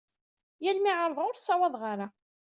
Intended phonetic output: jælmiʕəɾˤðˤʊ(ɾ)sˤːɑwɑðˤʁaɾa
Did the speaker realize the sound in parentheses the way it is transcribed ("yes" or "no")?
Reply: yes